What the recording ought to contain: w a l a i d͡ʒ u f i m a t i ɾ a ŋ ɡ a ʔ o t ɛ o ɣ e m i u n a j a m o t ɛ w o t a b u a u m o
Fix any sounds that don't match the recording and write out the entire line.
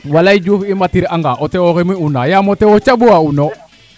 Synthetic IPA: w a l a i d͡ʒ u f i m a t i ɾ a ŋ ɡ a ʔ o t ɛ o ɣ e m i u n a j a m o t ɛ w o t͡ʃ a b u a u n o